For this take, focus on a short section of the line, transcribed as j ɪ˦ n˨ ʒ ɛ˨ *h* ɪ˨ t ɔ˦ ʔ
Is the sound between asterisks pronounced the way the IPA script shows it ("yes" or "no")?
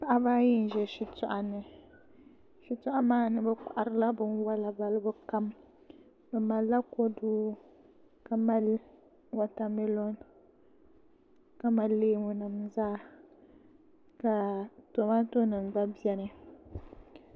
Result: no